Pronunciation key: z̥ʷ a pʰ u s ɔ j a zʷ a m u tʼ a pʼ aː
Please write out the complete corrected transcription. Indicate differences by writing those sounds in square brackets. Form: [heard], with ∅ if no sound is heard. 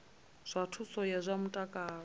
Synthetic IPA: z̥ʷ a [tʰ] u s ɔ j a zʷ a m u tʼ a [kʼ] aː